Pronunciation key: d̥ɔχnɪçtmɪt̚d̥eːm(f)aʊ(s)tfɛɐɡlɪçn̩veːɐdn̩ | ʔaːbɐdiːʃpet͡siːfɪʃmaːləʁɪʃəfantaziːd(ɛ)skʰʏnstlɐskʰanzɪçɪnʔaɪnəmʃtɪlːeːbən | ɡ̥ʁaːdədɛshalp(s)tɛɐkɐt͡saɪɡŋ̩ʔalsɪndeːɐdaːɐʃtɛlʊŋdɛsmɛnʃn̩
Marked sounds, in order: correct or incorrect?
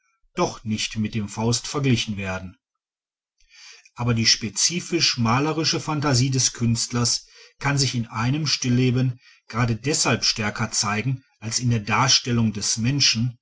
correct, correct, correct, incorrect: ʃ

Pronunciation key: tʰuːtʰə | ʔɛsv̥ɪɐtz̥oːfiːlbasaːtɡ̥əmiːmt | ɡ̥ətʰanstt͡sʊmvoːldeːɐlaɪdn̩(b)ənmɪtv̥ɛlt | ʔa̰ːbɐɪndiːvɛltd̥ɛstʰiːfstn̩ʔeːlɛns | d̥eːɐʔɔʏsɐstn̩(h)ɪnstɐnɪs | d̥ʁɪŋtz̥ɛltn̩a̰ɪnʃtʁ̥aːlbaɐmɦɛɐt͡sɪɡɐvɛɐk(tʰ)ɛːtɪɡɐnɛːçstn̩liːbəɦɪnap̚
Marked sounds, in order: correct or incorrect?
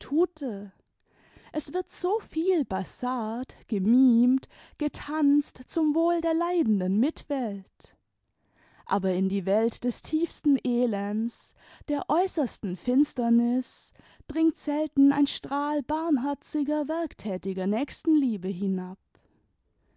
incorrect: d, incorrect: f, correct

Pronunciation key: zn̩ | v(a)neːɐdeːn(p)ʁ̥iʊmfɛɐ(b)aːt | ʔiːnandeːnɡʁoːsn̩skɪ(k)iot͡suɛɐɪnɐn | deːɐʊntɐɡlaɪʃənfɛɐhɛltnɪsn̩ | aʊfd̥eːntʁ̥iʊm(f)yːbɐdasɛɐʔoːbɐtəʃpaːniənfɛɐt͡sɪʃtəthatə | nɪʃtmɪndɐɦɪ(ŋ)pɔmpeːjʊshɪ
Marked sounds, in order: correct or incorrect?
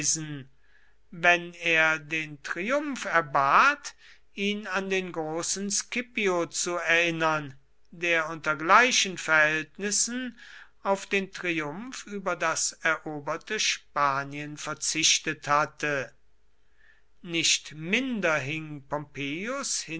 incorrect: ɛ, incorrect: t, correct, incorrect: p, correct, correct

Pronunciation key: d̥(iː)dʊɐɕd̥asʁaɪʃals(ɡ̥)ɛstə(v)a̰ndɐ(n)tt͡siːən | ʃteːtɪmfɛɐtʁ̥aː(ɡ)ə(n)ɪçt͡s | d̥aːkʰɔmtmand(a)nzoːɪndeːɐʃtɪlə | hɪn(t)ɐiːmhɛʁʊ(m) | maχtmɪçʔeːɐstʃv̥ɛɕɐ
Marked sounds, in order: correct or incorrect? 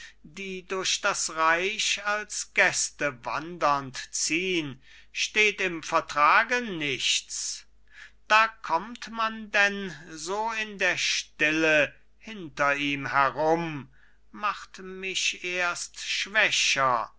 correct, correct, correct, correct, correct, correct, incorrect: ɛ, correct, correct

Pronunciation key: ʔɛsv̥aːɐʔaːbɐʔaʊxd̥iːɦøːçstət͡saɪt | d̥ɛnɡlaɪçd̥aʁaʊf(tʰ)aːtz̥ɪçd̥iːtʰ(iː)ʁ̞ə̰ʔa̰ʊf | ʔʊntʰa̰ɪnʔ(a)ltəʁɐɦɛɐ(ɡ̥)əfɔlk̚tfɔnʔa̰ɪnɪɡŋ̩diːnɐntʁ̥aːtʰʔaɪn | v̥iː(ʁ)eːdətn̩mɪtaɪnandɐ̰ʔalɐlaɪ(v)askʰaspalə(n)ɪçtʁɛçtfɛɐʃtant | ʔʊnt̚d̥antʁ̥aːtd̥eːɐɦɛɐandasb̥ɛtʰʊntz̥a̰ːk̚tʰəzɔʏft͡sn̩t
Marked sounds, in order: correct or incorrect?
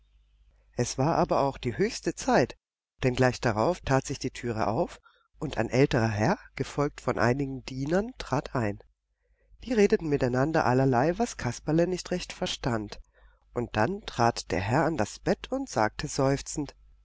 correct, incorrect: yː, incorrect: ɛ, correct, correct, correct, correct

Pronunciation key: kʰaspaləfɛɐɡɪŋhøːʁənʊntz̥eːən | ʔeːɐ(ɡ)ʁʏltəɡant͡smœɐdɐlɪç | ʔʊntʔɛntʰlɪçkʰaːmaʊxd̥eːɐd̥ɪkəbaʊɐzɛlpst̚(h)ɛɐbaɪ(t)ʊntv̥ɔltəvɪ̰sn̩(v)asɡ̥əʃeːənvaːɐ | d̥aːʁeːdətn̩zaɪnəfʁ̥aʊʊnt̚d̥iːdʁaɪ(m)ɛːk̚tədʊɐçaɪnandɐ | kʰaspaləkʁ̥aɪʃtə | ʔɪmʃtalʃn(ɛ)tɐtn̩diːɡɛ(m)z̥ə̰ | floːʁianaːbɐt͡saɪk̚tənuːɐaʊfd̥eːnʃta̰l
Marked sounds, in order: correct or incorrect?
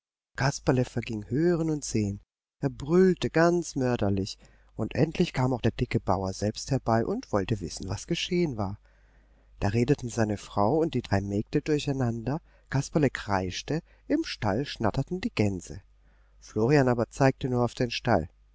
incorrect: b, correct, incorrect: ʔ, correct, correct, incorrect: a, incorrect: n

